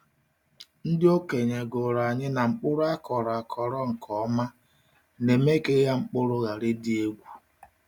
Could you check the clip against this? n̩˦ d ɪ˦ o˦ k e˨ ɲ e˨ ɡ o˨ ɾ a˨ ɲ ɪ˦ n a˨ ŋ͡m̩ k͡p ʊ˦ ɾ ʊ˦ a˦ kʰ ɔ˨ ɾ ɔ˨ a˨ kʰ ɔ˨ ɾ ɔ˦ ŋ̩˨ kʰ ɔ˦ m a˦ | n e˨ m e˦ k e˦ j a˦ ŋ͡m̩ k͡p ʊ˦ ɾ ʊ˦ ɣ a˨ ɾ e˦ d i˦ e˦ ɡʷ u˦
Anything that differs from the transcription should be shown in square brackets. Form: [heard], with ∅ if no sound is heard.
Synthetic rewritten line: n̩˦ d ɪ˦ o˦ k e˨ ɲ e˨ ɡ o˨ ɾ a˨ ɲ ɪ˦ n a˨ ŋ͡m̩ k͡p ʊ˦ ɾ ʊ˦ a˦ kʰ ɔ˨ ɾ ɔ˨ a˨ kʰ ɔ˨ ɾ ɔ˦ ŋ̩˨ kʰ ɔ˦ m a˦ | n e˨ m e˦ k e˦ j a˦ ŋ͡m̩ k͡p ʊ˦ ɾ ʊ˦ ɣ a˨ ɾ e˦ d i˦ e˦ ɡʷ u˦